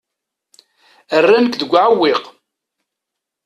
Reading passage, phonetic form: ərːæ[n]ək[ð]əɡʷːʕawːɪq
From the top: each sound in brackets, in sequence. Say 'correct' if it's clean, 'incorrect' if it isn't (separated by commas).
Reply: correct, correct